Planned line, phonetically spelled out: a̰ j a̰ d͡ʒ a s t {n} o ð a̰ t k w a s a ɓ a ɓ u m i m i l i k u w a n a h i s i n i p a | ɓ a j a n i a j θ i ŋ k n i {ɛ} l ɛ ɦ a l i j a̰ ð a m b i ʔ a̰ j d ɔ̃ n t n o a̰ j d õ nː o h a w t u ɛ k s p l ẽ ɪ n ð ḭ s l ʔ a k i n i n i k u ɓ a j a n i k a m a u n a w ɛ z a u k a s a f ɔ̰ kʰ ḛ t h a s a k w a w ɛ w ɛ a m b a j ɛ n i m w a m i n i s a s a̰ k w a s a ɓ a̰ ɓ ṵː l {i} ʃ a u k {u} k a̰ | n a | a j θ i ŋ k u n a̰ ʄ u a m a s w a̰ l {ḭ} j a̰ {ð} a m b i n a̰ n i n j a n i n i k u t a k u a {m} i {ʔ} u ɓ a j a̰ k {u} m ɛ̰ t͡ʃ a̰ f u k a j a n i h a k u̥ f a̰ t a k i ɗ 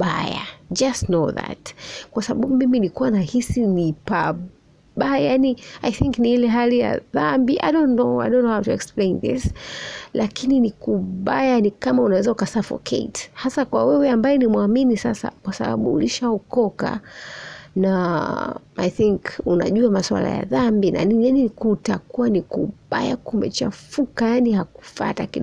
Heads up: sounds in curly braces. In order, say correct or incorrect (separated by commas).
correct, incorrect, correct, incorrect, incorrect, correct, incorrect, incorrect, correct